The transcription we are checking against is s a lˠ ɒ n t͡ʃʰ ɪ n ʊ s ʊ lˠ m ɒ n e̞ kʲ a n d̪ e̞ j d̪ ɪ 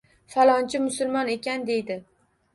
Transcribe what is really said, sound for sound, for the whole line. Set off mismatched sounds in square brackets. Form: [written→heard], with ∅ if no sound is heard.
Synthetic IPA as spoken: [s→f] a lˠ ɒ n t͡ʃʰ ɪ [n→m] ʊ s ʊ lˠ m ɒ n e̞ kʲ a n d̪ e̞ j d̪ ɪ